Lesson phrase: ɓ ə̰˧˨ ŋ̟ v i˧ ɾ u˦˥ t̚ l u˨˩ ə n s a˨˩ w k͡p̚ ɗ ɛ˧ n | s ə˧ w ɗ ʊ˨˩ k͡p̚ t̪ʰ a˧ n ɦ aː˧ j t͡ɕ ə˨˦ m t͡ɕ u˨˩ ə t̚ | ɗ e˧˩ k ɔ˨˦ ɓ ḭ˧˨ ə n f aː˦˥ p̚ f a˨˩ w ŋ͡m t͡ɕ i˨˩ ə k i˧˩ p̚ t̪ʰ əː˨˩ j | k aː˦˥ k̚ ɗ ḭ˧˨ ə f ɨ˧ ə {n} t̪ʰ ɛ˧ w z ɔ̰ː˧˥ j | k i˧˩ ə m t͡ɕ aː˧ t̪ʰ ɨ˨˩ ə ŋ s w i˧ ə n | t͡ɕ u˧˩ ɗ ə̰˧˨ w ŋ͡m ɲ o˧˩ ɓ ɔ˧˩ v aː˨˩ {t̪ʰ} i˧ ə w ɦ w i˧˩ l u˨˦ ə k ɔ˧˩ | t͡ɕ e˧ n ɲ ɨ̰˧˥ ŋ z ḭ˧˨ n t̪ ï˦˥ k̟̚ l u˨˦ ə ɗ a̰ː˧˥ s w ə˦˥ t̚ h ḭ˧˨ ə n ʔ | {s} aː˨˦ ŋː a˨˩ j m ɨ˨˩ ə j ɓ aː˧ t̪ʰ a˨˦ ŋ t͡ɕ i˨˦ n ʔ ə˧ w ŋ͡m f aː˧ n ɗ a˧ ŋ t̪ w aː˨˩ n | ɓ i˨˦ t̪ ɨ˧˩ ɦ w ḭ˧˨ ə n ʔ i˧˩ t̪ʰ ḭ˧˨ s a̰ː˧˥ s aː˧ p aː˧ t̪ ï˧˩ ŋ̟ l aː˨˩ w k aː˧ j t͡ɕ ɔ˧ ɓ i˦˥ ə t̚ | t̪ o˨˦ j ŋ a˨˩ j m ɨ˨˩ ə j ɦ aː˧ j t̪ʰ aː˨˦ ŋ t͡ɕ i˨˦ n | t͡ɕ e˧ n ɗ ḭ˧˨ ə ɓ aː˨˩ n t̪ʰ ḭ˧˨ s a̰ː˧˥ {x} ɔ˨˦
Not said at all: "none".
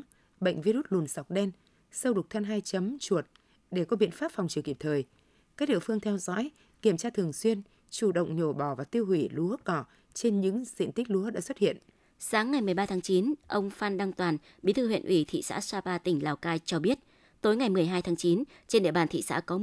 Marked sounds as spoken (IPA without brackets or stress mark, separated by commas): ŋ, t̪, s, k